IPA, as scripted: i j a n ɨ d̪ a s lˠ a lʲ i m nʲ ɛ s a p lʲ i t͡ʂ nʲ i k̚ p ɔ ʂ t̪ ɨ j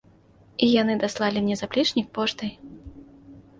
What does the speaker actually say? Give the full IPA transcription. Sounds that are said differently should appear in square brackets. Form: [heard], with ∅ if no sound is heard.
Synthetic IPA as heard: i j a n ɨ d̪ a s lˠ a lʲ i m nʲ ɛ [z] a p lʲ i t͡ʂ nʲ i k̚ p ɔ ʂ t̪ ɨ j